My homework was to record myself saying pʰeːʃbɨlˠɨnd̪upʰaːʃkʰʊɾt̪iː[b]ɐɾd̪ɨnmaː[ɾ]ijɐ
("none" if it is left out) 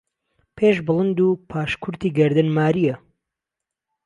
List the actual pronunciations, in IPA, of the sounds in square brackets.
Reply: ɡ, ɾ

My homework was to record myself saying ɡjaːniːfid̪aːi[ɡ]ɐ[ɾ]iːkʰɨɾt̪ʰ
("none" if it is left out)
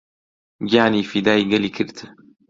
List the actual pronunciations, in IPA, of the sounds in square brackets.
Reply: ɡ, l

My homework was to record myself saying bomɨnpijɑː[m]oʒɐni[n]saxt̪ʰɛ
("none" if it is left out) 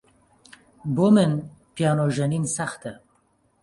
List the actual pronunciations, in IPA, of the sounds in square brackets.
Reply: n, n

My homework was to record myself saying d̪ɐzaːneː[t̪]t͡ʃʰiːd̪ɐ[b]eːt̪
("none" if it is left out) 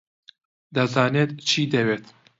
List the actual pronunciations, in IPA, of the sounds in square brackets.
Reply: t̪, w

